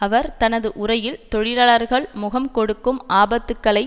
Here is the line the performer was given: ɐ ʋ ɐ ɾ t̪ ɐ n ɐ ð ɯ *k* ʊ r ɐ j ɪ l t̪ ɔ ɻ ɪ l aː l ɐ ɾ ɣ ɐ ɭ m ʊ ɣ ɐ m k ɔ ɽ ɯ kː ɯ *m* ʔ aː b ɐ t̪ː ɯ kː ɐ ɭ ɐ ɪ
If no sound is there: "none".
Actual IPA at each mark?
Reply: ʔ, m

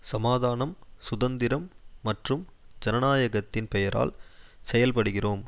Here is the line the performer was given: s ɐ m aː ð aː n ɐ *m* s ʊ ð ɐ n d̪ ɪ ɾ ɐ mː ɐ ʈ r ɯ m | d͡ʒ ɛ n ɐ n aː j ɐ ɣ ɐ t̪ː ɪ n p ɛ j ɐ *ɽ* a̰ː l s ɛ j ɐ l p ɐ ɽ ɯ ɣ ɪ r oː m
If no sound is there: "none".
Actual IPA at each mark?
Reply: m, ɾ

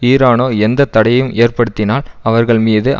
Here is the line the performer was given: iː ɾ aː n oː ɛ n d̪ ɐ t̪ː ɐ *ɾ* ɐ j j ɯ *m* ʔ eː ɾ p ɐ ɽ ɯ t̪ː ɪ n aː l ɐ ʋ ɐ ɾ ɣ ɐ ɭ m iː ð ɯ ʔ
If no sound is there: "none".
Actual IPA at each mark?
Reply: ɽ, m

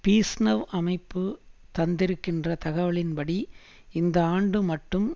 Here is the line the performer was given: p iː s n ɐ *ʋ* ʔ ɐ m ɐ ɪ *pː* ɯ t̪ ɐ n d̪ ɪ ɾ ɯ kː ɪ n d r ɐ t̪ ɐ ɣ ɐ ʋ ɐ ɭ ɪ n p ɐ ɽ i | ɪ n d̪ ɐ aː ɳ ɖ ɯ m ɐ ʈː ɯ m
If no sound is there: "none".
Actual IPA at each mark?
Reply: ʋ, pː

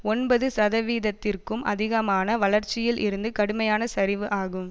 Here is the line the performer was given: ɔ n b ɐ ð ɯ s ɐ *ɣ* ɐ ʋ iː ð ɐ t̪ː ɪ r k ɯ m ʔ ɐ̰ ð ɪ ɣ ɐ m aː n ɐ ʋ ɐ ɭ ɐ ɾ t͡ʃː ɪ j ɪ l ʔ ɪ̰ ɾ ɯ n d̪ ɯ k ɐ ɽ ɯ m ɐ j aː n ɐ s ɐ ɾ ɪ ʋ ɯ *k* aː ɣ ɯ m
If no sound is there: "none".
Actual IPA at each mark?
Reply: ð, ʔ

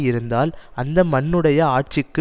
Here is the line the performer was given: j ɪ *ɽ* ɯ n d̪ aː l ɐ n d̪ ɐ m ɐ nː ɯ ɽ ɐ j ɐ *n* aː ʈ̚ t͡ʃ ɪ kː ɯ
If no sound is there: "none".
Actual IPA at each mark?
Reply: ɾ, none

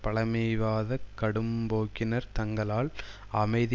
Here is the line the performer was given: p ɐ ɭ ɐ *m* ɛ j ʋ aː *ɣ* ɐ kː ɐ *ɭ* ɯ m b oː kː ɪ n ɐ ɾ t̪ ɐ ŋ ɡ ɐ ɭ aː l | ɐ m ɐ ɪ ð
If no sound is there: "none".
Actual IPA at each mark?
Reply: m, ð, ɽ

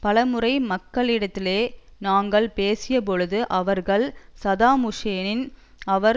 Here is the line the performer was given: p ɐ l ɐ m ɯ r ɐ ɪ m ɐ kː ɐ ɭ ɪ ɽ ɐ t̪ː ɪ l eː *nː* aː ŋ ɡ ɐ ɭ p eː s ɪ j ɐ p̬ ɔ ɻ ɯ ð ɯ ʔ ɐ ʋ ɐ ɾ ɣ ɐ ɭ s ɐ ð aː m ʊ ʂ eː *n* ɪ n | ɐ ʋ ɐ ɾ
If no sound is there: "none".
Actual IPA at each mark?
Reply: n, n

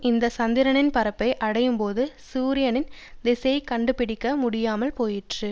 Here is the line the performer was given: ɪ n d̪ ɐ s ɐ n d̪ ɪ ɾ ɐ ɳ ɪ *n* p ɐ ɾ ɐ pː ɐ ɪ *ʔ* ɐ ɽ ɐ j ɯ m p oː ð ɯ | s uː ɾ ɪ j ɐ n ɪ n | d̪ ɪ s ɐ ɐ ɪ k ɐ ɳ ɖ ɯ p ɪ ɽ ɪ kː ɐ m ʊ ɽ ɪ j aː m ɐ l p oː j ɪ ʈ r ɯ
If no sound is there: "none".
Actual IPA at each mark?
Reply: n, ʔ

